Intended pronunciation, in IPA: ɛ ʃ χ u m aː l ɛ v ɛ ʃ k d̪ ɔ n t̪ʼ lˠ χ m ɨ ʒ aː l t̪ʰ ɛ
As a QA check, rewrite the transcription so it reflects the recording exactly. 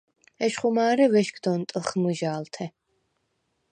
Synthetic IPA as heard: ɛ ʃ χ u m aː ɾ ɛ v ɛ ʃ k d̪ ɔ n t̪ʼ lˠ χ m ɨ ʒ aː l t̪ʰ ɛ